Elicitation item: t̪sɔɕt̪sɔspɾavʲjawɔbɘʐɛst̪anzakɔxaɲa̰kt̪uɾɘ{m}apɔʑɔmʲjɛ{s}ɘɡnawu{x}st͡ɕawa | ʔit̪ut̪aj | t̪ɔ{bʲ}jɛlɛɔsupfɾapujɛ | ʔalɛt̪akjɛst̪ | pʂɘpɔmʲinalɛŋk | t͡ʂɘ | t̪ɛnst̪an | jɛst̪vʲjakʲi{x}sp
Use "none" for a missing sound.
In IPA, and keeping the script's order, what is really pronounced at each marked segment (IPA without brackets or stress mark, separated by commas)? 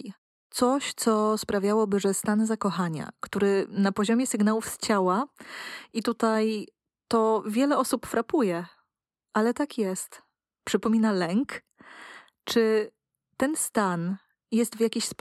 n, s, f, vʲ, ɕ